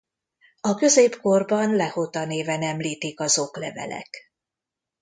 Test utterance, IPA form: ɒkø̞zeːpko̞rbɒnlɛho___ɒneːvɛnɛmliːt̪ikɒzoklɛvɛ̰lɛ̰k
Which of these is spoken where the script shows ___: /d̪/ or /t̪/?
t̪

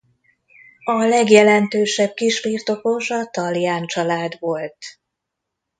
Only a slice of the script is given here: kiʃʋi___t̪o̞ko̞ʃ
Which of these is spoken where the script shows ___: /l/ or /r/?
r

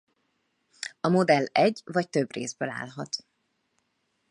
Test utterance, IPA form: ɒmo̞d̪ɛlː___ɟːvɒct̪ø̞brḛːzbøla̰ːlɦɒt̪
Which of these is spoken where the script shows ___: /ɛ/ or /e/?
ɛ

